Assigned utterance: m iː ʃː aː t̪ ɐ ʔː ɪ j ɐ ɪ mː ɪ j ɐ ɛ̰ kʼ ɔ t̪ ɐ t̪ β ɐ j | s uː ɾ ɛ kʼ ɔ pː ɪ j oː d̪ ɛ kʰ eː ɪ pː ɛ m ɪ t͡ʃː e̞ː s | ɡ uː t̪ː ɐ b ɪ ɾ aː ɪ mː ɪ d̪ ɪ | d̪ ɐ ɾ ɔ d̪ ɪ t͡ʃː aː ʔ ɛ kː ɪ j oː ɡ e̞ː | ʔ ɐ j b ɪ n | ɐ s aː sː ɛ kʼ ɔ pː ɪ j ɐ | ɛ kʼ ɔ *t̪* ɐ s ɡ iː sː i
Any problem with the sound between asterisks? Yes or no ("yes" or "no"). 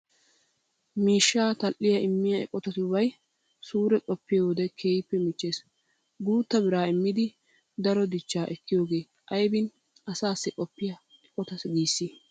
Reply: no